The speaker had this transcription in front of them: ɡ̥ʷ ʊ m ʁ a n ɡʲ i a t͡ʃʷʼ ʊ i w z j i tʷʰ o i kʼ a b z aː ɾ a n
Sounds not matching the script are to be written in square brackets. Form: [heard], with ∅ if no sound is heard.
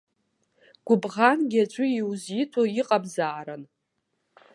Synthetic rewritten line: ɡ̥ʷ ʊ [b] ʁ a n ɡʲ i a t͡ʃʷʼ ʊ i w z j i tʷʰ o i [qʼ] a b z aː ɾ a n